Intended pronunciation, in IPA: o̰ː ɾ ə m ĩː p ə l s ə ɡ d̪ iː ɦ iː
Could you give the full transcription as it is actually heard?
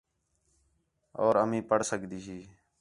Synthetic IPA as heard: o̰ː ɾ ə m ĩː p ə ɽ s ə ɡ d̪ iː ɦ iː